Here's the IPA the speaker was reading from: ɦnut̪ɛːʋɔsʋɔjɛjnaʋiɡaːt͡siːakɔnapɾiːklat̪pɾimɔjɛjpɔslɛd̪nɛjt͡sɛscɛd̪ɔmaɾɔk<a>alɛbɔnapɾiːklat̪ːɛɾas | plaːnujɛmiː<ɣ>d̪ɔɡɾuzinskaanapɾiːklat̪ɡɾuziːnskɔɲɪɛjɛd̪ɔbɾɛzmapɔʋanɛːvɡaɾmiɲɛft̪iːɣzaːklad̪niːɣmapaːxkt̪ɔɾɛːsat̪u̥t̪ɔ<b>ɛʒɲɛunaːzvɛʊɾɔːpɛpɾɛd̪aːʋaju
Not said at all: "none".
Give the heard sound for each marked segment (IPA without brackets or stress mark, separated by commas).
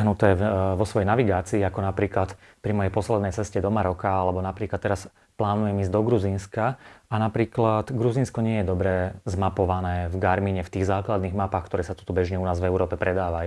a, z, b